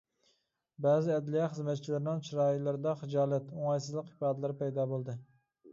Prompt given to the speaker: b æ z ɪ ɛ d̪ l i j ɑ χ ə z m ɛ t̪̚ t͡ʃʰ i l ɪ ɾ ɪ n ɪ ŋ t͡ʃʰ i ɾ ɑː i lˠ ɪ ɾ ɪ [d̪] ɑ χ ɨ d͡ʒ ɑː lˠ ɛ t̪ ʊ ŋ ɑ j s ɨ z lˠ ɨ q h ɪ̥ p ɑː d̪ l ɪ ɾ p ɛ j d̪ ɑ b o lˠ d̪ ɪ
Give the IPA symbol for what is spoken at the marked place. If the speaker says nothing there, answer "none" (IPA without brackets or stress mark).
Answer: d̪